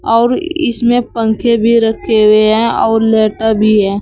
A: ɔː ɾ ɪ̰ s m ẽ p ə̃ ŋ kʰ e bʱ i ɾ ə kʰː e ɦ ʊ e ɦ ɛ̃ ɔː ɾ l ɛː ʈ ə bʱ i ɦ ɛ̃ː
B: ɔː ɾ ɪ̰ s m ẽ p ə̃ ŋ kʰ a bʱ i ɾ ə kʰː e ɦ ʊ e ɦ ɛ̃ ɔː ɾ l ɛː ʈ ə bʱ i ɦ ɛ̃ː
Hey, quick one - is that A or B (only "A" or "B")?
A